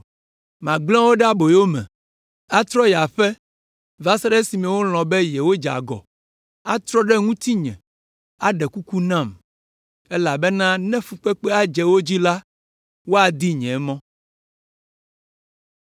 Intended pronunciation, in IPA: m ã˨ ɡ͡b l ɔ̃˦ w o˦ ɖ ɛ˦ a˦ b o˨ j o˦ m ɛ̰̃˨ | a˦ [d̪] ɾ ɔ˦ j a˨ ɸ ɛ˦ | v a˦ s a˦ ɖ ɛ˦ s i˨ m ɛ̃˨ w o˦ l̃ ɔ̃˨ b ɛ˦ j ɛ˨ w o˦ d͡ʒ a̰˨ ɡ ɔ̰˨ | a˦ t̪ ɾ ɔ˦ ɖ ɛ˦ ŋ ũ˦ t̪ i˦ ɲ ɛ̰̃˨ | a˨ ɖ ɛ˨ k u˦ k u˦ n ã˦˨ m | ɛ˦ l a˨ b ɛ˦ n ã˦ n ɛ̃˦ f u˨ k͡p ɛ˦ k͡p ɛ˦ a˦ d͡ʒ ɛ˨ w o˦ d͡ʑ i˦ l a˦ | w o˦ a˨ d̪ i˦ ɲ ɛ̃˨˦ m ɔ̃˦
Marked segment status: incorrect: t̪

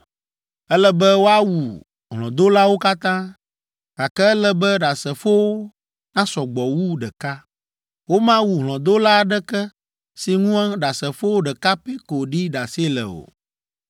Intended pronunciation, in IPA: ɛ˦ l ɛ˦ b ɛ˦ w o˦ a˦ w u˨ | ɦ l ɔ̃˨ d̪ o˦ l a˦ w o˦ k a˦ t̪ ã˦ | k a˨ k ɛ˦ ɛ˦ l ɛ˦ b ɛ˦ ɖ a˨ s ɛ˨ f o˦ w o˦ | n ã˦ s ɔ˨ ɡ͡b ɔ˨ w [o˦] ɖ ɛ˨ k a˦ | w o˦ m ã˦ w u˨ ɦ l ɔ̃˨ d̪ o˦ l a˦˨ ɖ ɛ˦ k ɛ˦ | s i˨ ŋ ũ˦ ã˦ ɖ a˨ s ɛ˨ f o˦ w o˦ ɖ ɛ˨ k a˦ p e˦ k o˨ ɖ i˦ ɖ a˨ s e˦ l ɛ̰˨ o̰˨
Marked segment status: incorrect: u˦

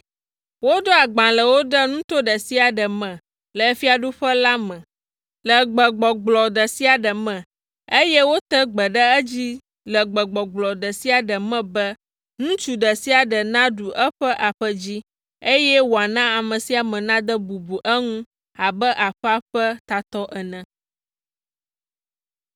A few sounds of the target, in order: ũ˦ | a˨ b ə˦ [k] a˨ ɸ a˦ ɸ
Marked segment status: incorrect: ʔ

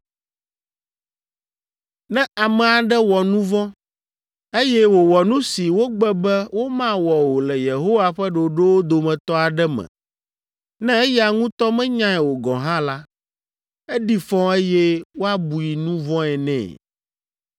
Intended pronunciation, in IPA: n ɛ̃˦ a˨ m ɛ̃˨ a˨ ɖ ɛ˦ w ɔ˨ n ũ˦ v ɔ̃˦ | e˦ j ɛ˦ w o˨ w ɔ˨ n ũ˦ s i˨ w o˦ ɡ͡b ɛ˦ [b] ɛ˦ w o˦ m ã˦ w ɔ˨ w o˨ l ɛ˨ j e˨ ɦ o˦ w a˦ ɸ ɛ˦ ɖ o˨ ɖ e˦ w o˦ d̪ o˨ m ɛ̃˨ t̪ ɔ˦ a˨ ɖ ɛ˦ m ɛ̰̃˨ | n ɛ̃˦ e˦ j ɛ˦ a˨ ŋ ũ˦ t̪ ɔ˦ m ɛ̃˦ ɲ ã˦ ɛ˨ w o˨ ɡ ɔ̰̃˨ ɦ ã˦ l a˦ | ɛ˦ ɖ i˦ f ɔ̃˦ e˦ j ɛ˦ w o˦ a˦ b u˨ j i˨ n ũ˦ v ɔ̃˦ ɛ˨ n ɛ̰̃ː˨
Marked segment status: correct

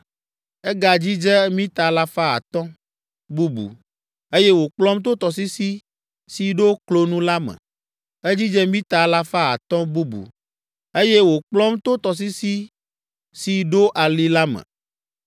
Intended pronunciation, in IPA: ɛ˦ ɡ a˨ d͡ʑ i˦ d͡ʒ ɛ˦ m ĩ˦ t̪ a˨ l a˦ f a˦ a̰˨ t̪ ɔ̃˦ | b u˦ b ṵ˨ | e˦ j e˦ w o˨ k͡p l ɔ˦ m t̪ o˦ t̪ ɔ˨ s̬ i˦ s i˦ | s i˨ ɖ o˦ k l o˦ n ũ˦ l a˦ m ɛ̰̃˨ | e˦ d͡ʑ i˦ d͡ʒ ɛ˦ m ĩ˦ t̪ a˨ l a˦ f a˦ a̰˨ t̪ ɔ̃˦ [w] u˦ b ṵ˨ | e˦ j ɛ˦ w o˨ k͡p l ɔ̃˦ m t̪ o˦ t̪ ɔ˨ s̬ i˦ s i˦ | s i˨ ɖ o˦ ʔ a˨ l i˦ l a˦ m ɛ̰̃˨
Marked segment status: incorrect: b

